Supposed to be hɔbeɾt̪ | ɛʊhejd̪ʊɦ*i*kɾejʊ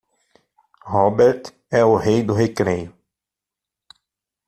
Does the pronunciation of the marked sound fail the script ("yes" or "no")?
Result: yes